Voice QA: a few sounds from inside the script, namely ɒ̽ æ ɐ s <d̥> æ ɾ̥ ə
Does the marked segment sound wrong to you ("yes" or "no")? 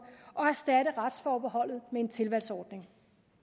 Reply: no